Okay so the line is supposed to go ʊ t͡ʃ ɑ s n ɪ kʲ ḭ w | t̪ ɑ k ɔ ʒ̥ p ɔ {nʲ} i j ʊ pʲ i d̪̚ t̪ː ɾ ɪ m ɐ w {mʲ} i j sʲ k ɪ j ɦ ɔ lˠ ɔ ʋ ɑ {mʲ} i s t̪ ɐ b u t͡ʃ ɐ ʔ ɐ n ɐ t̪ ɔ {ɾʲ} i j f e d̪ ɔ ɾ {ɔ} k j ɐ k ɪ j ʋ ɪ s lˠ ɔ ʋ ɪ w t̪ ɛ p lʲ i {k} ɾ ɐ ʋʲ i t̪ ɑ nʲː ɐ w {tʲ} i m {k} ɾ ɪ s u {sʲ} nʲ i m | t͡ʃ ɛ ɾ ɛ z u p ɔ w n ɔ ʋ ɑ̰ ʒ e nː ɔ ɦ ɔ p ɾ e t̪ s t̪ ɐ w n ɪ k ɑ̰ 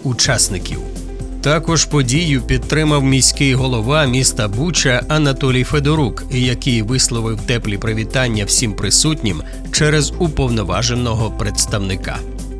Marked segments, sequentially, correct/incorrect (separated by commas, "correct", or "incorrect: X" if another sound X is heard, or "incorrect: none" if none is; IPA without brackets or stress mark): incorrect: dʲ, correct, correct, incorrect: lʲ, incorrect: u, incorrect: p, incorrect: sʲ, incorrect: p, incorrect: tʲ